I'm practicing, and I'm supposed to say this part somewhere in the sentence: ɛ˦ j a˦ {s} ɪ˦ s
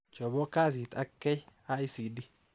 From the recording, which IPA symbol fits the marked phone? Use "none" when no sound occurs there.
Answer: none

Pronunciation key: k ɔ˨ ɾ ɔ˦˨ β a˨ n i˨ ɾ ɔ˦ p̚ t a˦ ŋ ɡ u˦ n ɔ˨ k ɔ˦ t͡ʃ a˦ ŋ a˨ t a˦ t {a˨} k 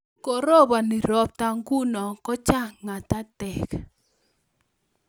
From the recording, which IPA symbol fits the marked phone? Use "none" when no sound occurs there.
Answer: ɛ˨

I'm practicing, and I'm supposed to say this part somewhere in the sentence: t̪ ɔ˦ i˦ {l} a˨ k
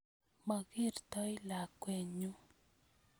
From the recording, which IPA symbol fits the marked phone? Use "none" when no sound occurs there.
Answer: l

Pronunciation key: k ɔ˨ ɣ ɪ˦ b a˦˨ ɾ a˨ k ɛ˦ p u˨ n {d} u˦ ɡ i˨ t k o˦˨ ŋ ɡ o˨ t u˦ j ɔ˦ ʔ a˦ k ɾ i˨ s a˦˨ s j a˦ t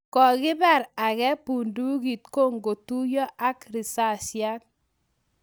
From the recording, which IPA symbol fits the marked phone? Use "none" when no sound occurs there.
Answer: d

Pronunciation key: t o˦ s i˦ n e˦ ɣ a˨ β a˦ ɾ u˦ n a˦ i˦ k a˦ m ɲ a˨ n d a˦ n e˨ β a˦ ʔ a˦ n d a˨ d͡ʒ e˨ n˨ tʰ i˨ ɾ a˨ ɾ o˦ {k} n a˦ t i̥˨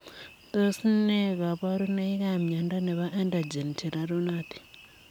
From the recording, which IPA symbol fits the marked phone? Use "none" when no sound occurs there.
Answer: none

